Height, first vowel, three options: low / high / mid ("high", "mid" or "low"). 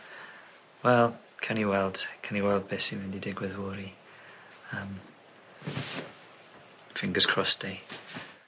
mid